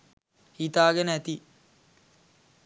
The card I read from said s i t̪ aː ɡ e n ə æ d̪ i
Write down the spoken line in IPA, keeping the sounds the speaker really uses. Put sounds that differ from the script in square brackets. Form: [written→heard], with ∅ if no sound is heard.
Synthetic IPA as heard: [s→h] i t̪ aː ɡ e n ə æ [d̪→t̪] i